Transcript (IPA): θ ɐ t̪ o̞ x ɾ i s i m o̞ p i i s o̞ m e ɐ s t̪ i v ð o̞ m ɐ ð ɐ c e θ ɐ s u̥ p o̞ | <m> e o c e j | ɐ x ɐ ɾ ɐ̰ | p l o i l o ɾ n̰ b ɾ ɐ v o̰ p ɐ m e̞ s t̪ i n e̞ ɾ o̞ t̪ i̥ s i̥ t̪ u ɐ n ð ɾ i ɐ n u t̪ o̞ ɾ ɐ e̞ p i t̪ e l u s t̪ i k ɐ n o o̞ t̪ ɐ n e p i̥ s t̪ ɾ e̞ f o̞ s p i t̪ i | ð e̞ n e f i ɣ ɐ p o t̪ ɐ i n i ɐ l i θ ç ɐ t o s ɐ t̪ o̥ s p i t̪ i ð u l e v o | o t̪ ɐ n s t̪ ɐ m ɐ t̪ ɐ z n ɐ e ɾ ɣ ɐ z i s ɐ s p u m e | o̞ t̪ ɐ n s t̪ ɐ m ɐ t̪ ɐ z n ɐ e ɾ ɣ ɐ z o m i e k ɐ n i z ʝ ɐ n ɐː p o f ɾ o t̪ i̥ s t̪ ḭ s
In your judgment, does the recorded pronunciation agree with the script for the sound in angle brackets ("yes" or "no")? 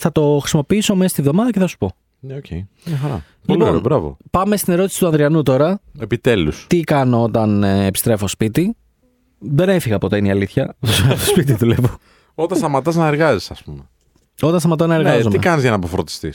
no